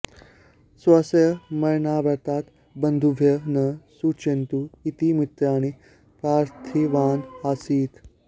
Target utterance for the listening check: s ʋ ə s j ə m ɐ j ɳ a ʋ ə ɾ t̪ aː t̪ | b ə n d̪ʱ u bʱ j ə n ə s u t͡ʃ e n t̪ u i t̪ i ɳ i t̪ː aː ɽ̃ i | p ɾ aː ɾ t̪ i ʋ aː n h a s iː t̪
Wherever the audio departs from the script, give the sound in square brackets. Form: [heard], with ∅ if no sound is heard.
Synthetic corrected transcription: s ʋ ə s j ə m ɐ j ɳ a ʋ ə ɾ t̪ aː t̪ | b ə n d̪ʱ u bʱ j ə n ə s u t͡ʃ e n t̪ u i t̪ i [m] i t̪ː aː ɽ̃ i | p ɾ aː ɾ [t̪ʰ] i ʋ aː n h a s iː t̪